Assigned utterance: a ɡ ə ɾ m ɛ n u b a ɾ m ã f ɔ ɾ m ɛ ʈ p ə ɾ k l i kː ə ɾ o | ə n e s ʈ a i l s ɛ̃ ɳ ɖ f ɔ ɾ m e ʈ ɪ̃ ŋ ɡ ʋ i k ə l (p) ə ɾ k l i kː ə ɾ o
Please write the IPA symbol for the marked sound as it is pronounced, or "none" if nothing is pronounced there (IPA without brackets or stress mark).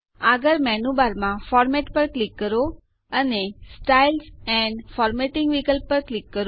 p